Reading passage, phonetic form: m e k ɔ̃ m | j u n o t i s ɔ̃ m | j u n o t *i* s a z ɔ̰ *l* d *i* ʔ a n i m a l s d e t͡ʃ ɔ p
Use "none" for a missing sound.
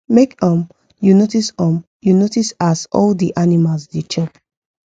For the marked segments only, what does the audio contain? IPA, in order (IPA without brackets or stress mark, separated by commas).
i, l, i